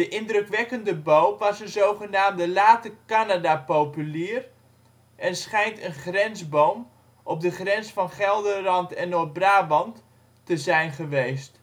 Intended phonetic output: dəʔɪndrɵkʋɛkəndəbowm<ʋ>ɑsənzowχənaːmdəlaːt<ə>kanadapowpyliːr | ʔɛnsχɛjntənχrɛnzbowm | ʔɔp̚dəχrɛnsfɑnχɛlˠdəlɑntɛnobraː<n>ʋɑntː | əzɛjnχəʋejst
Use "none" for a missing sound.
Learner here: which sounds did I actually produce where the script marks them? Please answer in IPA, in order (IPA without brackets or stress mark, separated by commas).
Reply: ʋ, ə, none